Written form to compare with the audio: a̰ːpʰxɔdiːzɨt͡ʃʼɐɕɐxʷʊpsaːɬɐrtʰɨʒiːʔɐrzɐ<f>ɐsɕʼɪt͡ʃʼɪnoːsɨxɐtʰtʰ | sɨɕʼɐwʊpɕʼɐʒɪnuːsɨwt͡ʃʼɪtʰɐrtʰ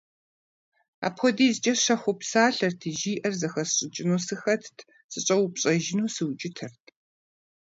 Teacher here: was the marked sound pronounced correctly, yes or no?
no